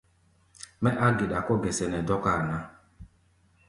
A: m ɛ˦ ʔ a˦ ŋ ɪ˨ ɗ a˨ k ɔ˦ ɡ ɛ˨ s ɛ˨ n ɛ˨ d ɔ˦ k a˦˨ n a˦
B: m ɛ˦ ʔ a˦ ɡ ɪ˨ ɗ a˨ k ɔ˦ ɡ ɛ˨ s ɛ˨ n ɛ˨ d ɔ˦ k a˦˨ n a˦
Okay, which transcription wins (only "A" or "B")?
B